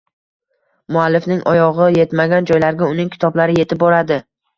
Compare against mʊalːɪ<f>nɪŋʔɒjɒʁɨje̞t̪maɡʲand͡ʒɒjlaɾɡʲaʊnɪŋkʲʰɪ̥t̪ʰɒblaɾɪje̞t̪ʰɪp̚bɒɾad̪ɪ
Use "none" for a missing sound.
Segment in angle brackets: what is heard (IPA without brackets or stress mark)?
f